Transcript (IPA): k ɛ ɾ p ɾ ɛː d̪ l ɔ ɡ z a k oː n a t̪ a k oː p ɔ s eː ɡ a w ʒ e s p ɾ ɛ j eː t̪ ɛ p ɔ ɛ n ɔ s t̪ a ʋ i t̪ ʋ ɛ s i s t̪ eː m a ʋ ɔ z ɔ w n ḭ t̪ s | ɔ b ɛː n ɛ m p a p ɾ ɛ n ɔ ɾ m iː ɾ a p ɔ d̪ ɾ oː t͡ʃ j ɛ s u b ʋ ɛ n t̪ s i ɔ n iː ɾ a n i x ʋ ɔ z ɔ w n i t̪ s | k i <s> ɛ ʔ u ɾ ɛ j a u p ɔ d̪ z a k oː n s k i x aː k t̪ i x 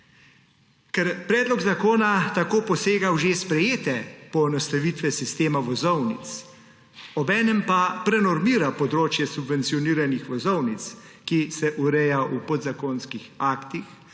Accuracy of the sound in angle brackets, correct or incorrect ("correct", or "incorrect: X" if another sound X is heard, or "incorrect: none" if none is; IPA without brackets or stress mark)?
correct